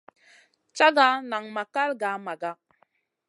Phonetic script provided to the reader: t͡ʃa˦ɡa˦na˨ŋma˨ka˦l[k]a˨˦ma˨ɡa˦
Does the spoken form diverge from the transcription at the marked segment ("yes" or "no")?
yes